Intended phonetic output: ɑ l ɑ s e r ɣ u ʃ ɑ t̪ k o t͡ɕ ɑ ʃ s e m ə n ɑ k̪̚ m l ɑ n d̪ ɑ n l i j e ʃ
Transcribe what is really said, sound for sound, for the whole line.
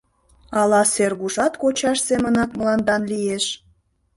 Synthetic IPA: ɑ l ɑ s e r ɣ u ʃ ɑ t̪ k o t͡ɕ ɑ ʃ s e m ə n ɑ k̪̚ m l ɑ n d̪ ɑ n l i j e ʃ